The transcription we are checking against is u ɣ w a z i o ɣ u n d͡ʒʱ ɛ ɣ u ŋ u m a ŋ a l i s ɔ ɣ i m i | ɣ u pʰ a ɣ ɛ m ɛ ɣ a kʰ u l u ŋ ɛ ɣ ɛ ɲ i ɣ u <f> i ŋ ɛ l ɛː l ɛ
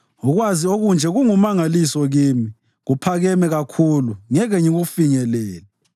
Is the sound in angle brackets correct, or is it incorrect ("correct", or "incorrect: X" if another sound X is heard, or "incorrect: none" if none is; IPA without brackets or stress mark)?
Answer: correct